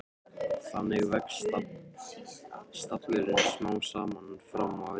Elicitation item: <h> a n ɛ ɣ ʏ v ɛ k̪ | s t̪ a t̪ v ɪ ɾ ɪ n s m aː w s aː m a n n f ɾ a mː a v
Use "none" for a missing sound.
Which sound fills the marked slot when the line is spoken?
θ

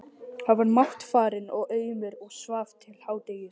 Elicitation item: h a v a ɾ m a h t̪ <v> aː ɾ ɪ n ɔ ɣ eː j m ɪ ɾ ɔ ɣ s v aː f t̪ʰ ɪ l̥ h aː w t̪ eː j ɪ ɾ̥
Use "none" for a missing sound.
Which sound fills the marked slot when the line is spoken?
f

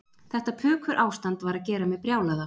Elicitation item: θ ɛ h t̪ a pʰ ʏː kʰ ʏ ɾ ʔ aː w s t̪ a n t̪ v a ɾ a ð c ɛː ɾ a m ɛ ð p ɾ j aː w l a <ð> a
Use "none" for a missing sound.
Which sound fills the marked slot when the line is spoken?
ð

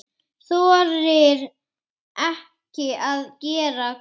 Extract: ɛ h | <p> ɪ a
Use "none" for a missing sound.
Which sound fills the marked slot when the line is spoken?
c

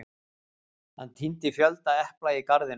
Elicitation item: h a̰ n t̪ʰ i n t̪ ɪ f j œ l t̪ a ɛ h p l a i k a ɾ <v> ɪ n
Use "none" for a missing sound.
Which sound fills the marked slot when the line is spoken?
ð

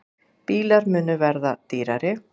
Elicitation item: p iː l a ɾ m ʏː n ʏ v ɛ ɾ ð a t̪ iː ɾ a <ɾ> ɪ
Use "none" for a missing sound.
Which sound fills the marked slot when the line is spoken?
ɾ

